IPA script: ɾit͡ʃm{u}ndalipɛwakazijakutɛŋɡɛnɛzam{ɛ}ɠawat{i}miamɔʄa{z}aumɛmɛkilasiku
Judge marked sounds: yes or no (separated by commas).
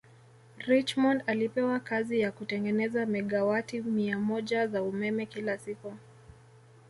no, yes, yes, yes